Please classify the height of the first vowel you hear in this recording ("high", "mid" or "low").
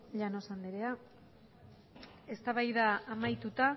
low